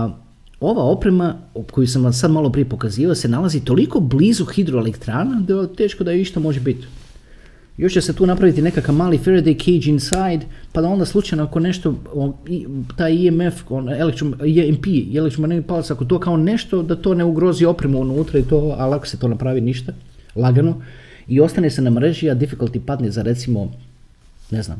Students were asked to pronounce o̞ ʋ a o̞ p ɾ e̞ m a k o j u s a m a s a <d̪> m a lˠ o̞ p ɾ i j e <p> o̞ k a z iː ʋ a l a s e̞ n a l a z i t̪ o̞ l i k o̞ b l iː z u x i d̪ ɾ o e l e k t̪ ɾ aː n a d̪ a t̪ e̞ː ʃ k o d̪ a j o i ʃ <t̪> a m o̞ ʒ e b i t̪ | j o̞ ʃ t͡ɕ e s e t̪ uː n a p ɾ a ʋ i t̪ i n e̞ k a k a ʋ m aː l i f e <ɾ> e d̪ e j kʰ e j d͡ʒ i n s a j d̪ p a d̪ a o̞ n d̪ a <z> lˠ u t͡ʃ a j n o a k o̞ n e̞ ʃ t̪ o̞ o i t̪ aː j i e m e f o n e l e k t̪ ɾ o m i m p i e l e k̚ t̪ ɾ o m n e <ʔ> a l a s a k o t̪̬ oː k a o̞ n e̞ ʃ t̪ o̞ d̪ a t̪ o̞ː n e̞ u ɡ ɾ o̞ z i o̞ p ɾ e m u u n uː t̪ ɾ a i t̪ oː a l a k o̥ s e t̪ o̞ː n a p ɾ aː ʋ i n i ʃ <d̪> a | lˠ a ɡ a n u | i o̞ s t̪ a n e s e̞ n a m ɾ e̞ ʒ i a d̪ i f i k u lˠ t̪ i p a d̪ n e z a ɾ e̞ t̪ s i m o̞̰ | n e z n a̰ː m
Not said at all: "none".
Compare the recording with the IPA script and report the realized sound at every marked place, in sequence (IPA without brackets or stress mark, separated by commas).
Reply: d̪, p, t̪, ɾ, s, p, t̪